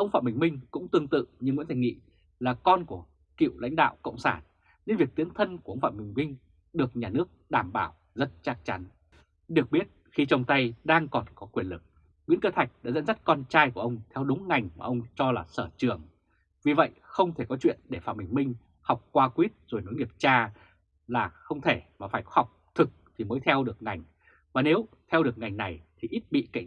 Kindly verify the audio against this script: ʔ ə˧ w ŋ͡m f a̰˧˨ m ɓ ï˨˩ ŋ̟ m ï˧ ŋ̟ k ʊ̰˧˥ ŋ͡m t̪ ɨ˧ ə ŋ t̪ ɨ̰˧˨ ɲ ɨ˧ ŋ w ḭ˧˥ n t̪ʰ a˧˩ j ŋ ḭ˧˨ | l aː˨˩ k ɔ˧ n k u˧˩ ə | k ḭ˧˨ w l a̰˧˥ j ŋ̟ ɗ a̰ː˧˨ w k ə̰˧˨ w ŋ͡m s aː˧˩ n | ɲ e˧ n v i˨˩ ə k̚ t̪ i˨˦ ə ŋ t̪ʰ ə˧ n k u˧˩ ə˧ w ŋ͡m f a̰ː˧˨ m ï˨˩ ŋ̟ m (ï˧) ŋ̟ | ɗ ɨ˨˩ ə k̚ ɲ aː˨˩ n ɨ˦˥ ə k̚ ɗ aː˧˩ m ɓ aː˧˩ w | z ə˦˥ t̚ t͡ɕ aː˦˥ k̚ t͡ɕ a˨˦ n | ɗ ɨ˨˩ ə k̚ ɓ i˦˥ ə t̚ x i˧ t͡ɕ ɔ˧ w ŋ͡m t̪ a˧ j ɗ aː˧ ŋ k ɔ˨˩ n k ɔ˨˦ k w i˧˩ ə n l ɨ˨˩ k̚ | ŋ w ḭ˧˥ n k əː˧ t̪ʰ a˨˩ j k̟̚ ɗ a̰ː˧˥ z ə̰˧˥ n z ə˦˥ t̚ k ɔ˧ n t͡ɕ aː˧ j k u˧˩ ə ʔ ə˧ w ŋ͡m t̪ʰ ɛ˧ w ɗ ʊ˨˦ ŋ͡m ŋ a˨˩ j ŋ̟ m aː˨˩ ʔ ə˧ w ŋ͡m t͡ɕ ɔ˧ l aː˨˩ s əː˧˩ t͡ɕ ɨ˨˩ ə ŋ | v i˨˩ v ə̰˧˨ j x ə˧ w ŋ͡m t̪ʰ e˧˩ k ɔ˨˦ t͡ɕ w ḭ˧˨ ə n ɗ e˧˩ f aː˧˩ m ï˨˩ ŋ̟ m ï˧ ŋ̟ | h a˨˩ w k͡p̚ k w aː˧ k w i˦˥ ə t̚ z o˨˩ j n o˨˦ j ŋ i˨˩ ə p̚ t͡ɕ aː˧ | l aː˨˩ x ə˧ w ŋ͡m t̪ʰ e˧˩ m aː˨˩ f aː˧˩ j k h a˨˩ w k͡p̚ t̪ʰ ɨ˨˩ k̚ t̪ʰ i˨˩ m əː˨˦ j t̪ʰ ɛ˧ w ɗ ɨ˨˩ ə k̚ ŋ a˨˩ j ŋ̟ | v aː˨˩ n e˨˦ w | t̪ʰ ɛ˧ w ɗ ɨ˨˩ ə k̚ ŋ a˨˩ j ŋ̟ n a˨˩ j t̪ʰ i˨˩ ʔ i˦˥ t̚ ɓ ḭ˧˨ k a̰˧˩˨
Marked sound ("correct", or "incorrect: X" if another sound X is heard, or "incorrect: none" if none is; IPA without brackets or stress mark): correct